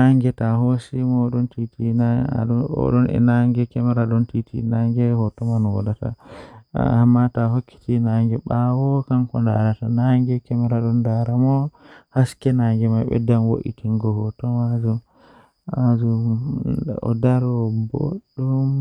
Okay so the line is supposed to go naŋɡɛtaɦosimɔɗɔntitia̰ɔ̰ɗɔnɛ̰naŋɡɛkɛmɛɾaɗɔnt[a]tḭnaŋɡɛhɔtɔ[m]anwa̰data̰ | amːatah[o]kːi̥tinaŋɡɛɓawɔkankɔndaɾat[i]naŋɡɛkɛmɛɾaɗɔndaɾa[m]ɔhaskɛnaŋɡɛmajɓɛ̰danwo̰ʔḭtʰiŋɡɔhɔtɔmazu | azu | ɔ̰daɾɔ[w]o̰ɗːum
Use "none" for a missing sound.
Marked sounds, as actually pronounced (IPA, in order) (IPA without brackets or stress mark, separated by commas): i, m, o, a, m, b